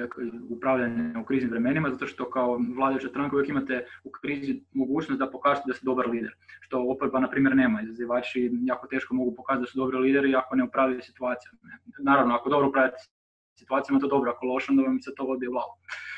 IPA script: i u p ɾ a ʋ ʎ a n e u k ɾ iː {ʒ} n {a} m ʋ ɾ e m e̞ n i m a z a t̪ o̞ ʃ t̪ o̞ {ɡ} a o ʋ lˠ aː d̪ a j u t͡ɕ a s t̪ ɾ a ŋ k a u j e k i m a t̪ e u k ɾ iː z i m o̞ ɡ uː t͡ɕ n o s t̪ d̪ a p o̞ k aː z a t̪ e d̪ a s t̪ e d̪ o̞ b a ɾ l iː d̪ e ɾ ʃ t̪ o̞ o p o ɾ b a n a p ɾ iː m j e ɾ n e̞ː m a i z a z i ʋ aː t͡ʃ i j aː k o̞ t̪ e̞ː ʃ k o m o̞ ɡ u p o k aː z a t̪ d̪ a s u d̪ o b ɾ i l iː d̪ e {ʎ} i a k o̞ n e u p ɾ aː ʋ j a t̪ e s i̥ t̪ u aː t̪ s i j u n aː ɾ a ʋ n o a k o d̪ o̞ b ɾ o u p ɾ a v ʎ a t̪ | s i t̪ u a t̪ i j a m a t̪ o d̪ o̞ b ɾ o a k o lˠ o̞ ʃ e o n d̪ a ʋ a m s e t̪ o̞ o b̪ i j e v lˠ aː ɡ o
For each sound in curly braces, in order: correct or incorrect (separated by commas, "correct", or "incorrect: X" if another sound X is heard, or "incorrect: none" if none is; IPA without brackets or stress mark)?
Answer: incorrect: z, incorrect: i, incorrect: k, incorrect: ɾ